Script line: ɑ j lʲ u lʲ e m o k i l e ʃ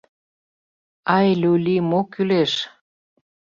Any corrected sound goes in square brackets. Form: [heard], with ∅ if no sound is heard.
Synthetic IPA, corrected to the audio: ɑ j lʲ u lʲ [i] m o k [y] l e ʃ